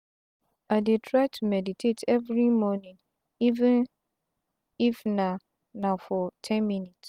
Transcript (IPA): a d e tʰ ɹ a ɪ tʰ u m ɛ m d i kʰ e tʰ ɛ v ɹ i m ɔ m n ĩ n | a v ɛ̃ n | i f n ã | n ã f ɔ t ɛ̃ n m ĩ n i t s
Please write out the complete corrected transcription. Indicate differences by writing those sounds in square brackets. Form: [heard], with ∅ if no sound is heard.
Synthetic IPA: a d e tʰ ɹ a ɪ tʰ u m ɛ [∅] d i [tʰ] e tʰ ɛ v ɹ i m ɔ [∅] n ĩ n | [i] v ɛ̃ n | i f n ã | n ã f ɔ [tʰ] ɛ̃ n m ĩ n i t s